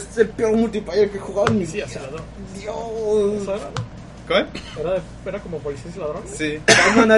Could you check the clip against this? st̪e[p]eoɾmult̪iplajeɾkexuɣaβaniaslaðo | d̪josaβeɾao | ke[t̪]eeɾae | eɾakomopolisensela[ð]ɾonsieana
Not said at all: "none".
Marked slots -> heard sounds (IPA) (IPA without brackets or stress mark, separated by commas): p, none, ð